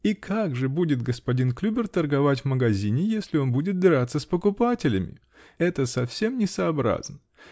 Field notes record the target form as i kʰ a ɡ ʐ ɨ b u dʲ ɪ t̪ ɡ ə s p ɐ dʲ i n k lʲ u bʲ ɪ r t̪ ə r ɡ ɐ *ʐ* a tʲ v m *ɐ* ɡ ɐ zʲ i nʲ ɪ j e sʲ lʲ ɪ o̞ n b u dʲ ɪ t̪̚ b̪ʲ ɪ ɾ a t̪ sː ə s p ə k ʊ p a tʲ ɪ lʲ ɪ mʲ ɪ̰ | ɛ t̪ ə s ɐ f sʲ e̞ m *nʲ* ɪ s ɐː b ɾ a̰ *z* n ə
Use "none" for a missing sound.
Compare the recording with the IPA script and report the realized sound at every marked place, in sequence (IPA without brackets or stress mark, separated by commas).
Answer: v, ə, nʲ, z